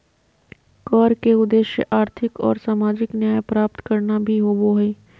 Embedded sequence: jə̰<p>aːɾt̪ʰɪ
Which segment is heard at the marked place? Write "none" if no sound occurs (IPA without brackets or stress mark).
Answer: ʔ